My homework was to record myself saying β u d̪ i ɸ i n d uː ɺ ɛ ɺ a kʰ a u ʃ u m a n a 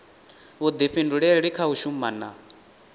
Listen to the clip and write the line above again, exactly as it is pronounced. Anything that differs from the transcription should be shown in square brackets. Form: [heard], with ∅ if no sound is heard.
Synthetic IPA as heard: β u d̪ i ɸ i n d [u] ɺ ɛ ɺ [i] kʰ a u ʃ u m a n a